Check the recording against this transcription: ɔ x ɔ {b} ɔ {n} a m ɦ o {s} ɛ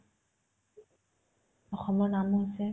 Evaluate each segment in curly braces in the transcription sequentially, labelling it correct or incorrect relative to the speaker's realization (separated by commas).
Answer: incorrect, correct, correct